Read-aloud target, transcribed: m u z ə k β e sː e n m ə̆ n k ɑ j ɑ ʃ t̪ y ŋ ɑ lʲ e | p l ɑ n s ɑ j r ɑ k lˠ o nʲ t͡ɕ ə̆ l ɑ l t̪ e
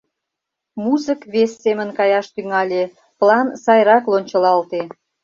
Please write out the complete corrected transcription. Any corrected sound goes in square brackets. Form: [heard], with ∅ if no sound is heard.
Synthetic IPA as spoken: m u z ə k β e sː e [∅] m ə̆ n k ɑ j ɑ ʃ t̪ y ŋ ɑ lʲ e | p l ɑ n s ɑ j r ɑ k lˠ o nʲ t͡ɕ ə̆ l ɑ l t̪ e

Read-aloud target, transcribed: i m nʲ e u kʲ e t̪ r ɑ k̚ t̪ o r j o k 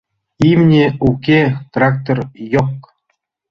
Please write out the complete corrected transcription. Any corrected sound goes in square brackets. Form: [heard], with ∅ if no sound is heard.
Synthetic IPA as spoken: i m nʲ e u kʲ e t̪ r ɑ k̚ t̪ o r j o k

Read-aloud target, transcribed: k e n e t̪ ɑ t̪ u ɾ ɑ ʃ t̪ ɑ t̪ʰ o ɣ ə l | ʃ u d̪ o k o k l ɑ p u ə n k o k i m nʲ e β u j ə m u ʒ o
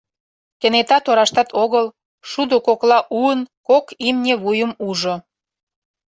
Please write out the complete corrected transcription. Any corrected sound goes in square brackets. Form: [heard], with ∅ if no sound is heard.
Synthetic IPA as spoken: k e n e t̪ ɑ t̪ [o] ɾ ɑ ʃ t̪ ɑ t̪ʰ o ɣ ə l | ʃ u d̪ o k o k l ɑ [ʔ] u ə n k o k i m nʲ e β u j ə m u ʒ o

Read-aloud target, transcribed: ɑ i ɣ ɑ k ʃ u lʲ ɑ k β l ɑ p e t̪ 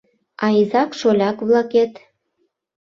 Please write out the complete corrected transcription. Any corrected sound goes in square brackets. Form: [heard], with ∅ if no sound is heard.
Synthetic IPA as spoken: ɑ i [z] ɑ k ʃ [o] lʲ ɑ k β l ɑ [k] e t̪

